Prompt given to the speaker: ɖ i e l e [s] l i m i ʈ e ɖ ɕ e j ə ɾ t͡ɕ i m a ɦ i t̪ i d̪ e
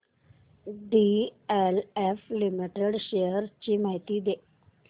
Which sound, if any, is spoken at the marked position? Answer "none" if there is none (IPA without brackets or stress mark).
f